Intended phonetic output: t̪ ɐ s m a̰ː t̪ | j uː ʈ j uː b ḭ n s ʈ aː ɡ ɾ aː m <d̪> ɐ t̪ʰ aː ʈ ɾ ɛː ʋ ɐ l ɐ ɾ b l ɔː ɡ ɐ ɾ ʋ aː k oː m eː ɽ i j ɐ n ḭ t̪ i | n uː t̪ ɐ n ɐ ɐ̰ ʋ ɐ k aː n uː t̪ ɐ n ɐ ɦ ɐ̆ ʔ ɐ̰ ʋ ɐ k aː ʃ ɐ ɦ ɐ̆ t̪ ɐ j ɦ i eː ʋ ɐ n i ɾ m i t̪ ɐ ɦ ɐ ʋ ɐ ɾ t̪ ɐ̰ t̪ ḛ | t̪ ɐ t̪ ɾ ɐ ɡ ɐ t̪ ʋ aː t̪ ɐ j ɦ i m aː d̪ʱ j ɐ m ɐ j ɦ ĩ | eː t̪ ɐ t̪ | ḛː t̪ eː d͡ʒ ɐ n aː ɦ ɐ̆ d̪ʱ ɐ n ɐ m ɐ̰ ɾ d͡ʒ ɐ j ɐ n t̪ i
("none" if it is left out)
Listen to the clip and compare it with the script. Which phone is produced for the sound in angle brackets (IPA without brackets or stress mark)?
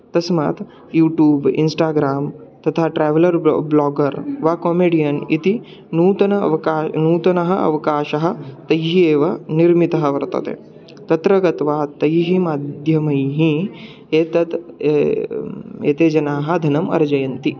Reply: t̪